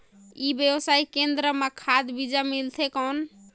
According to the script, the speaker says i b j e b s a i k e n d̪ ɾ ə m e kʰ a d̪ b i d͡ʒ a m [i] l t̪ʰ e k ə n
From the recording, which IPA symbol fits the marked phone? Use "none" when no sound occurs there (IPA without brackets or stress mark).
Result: i